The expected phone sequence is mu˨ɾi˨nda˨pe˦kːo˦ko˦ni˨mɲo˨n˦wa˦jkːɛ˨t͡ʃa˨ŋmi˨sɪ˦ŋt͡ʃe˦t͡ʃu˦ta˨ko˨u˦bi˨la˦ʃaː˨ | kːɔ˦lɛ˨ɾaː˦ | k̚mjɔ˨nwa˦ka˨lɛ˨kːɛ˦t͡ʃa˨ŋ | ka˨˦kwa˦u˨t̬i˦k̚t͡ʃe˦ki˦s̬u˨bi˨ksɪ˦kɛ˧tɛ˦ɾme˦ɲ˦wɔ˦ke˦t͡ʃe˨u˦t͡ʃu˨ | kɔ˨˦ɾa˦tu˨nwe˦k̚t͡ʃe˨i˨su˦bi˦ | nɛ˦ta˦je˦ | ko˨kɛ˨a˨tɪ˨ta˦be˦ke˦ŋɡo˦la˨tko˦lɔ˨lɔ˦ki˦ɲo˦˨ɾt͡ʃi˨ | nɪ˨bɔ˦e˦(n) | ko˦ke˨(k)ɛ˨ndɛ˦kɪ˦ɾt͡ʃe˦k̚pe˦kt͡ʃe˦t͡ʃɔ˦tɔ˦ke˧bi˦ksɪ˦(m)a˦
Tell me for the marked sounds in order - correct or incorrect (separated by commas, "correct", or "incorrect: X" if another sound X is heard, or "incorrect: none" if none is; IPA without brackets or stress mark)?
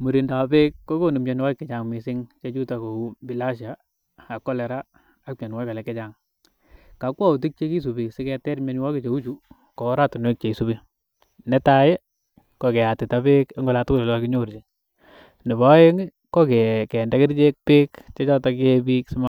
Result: incorrect: ŋ, correct, correct